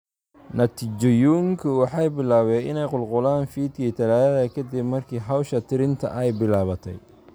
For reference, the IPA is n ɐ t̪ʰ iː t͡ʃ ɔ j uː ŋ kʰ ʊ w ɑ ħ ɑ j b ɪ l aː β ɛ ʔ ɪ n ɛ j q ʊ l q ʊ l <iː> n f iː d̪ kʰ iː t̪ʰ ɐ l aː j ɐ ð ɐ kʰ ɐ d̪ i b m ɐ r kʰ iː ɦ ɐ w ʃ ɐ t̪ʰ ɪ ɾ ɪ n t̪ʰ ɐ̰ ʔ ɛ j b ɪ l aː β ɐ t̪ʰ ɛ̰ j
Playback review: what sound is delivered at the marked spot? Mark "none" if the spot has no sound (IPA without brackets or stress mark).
aː